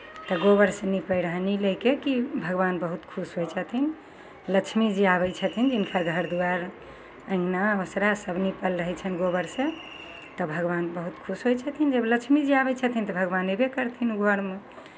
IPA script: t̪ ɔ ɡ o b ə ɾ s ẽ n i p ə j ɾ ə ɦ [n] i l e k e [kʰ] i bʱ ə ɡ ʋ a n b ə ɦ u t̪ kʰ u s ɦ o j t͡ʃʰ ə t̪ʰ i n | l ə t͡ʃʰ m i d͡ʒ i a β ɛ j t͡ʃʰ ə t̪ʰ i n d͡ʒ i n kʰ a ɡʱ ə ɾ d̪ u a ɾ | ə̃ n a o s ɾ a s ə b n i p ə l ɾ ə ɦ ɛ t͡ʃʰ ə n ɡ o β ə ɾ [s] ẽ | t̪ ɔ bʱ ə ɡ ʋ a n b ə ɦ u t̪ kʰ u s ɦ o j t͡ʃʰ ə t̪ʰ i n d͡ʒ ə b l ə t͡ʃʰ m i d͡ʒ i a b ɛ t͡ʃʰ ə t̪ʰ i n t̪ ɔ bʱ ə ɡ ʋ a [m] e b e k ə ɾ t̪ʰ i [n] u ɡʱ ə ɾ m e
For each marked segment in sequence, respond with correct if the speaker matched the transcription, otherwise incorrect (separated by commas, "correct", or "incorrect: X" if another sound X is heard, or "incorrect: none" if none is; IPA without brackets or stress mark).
correct, incorrect: k, correct, incorrect: n, correct